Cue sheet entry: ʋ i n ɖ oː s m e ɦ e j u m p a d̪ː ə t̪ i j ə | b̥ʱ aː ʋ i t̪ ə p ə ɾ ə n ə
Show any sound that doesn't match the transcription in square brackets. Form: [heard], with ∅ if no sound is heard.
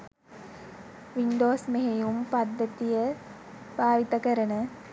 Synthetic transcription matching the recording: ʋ i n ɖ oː s m e ɦ e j u m p a d̪ː ə t̪ i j ə | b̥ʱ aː ʋ i t̪ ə [k] ə ɾ ə n ə